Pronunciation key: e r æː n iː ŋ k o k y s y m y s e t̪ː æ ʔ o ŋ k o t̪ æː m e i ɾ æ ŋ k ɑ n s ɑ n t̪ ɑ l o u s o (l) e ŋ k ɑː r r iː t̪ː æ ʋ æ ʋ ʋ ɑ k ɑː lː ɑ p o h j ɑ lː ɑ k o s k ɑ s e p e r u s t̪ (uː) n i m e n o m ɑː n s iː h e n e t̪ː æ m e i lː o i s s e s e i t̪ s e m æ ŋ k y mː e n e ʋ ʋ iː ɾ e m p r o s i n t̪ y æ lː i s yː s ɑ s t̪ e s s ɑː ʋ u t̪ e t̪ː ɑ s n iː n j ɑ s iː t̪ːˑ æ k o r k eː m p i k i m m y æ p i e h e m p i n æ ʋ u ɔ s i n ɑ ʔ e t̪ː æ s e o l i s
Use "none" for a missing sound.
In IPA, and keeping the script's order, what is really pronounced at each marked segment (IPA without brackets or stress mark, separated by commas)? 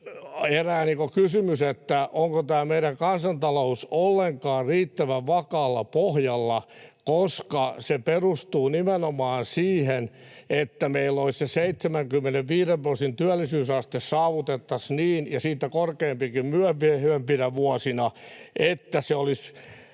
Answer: lː, uː